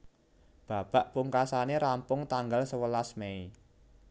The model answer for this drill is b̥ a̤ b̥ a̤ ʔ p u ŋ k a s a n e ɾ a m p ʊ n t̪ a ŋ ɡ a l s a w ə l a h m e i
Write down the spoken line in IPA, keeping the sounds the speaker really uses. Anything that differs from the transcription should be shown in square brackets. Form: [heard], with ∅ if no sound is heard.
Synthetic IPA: b̥ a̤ b̥ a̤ ʔ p u ŋ k a s a n e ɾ a m p ʊ [ŋ] t̪ a ŋ ɡ a l s [ə] w ə l a [s] m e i